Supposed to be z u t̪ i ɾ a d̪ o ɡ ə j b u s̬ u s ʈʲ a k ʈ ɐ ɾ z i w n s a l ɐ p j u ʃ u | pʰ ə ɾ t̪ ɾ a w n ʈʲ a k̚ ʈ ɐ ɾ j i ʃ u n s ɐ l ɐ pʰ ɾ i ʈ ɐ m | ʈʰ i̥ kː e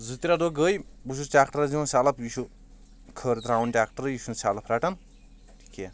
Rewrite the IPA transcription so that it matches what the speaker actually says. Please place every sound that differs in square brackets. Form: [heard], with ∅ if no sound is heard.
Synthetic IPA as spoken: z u t̪ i ɾ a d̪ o ɡ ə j b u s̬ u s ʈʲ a k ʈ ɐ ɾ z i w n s a l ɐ p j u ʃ u | [kʰ] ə ɾ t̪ ɾ a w n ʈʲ a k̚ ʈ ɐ ɾ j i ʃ u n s [a] l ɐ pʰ ɾ [a] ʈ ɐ [n] | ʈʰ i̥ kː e